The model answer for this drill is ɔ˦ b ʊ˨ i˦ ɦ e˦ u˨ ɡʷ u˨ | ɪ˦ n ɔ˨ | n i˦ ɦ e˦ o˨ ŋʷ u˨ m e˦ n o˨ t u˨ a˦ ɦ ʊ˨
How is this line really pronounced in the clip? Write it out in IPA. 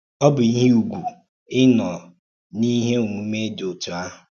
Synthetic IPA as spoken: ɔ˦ b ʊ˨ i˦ ɦ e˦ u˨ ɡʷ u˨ | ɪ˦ n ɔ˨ | n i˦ ɦ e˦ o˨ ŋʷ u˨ m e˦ d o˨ t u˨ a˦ ɦ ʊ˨